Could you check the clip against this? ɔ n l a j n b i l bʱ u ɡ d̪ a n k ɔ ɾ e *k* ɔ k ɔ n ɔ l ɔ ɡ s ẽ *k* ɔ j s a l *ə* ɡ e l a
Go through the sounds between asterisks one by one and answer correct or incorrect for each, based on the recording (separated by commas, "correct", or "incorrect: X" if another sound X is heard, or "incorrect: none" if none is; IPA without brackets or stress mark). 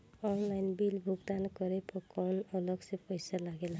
incorrect: p, incorrect: p, incorrect: a